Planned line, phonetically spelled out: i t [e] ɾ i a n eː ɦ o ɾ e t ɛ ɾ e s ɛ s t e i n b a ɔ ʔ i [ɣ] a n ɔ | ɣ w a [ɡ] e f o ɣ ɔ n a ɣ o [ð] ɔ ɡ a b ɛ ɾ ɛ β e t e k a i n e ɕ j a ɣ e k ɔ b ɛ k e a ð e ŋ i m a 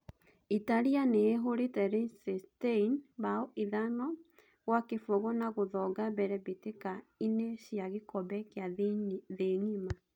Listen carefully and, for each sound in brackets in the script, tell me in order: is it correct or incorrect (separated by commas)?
incorrect, incorrect, incorrect, correct